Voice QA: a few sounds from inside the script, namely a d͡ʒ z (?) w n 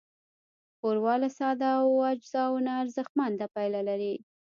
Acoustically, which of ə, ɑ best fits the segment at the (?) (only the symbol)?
ɑ